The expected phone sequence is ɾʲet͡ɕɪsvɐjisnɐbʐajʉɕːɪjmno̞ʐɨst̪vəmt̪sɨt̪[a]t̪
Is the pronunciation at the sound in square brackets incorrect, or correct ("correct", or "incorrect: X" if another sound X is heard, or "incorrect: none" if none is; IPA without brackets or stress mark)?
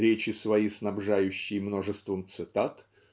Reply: correct